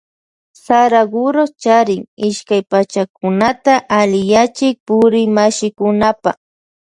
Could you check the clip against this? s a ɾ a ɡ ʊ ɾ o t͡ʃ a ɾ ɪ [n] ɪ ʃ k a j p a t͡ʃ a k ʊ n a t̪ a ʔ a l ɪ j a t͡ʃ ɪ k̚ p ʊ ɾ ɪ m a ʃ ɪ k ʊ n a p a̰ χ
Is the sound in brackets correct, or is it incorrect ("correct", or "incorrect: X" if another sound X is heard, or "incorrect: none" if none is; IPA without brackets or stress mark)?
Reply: incorrect: ŋ